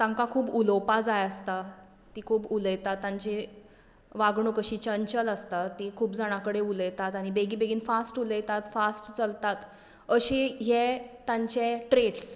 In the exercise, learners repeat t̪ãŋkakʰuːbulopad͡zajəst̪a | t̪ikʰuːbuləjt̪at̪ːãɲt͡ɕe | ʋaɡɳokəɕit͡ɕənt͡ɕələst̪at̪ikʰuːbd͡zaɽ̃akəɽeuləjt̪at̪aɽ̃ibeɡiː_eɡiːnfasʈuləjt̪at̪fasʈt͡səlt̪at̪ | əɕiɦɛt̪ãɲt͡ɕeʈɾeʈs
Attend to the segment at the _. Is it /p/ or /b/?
b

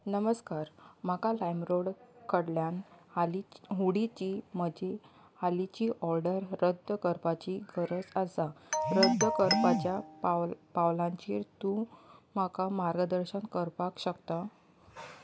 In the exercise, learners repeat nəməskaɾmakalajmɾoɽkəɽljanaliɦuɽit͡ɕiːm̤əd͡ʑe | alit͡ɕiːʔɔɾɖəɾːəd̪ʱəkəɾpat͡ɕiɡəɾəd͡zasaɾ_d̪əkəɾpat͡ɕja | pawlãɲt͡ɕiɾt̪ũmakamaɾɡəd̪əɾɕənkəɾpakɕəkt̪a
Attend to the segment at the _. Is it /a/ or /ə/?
ə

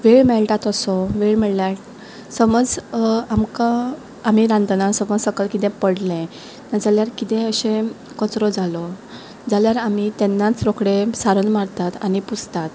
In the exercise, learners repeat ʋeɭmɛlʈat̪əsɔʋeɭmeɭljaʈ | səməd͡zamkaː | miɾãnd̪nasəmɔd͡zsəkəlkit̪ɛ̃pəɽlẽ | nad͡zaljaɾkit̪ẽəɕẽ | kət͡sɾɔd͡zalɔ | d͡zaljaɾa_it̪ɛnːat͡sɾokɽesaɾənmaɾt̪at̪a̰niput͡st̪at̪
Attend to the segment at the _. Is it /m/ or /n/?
m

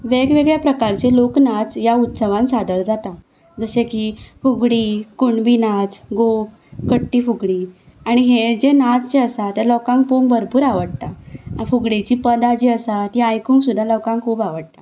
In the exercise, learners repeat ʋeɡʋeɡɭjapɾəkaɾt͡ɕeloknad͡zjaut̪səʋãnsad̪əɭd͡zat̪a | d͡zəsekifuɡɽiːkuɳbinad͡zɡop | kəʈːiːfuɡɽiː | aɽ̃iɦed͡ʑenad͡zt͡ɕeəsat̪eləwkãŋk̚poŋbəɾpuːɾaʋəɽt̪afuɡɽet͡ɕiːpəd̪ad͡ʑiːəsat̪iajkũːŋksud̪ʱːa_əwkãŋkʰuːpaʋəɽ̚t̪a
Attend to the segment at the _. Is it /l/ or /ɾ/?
l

